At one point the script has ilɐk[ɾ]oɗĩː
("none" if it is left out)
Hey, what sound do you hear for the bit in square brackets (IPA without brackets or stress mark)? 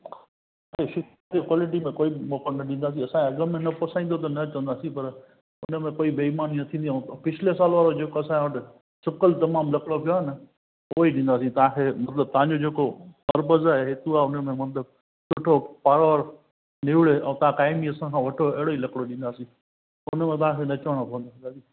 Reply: ɽ